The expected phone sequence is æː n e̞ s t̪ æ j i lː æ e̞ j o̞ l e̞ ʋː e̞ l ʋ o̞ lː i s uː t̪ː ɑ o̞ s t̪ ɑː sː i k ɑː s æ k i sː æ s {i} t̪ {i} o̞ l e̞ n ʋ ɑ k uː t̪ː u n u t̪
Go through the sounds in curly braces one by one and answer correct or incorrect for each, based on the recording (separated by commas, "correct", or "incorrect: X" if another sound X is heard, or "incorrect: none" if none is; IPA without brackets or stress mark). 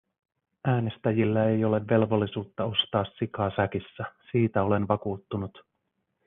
incorrect: iː, incorrect: æ